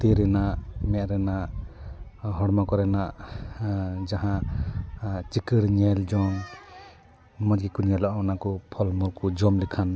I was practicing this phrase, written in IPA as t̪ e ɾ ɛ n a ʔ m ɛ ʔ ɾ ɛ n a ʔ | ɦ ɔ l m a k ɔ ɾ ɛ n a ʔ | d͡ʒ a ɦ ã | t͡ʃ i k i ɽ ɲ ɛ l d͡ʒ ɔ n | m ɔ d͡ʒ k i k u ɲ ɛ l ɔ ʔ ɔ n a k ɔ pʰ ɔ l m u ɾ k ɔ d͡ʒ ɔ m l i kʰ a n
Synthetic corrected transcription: t̪ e ɾ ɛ n a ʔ m ɛ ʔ ɾ ɛ n a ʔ | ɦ ɔ ɽ m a k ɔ ɾ ɛ n a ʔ | d͡ʒ a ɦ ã | t͡ʃ i k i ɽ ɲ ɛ l d͡ʒ ɔ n | m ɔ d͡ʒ ɡ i k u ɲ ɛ l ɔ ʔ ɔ n a k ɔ pʰ ɔ l m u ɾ k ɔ d͡ʒ ɔ m l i kʰ a n